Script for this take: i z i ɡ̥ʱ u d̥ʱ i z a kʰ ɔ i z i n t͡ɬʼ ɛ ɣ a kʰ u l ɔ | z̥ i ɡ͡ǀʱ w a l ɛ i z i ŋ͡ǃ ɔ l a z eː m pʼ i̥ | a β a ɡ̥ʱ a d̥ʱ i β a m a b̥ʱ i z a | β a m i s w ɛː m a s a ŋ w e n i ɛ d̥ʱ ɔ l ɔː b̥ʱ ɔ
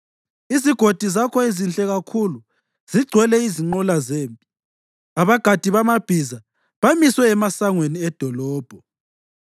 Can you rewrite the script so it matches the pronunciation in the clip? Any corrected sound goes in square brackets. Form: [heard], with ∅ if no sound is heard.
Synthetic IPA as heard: i z i ɡ̥ʱ [o] d̥ʱ i z a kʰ ɔ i z i n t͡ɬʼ ɛ ɣ a kʰ u l [u] | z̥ i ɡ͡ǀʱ w [ɛ] l ɛ i z i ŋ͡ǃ ɔ l a z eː m pʼ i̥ | a β a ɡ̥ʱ a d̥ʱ i β a m a b̥ʱ i z a | β a m i s w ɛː m a s a ŋ w e n i ɛ d̥ʱ ɔ l ɔː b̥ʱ ɔ